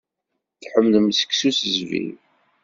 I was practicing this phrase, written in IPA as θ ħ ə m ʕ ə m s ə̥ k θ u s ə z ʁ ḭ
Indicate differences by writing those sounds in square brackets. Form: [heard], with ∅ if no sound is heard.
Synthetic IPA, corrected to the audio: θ ħ ə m [ð] ə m s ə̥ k [s] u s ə z [v] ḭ